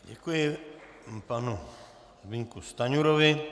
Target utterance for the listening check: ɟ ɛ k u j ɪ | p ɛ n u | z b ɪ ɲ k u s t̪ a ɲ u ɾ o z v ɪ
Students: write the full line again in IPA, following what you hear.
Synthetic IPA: ɟ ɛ k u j ɪ | p a n u | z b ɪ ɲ k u s t̪ a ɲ u ɾ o v ɪ